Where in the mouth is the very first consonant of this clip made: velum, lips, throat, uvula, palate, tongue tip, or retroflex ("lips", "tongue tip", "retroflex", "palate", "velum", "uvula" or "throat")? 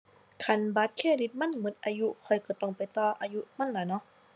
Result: velum